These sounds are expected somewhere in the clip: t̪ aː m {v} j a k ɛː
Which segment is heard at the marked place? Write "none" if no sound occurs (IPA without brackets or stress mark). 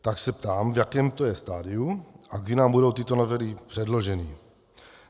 v